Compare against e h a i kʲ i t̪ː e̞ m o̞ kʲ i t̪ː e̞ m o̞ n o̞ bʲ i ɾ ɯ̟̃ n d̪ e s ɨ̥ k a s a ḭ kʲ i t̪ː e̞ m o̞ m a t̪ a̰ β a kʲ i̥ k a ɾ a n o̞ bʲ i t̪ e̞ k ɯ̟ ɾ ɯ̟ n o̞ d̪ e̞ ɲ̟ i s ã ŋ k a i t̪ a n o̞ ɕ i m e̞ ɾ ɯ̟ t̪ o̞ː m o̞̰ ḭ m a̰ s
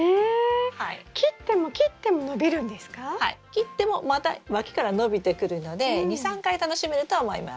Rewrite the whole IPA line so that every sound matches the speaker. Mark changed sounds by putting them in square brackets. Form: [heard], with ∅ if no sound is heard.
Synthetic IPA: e h a i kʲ i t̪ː e̞ m o̞ kʲ i t̪ː e̞ m o̞ n o̞ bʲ i ɾ ɯ̟̃ n d̪ e s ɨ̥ k a [h] a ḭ kʲ i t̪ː e̞ m o̞ m a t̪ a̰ β a kʲ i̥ k a ɾ a n o̞ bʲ i t̪ e̞ k ɯ̟ ɾ ɯ̟ n o̞ d̪ e̞ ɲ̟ i s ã ŋ k a i t̪ a n o̞ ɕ i m e̞ ɾ ɯ̟ t̪ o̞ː m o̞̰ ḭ m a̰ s